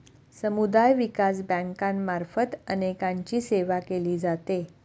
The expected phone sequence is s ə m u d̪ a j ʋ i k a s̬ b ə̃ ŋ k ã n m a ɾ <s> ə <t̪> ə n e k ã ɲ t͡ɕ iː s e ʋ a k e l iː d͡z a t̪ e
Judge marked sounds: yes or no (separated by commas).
no, yes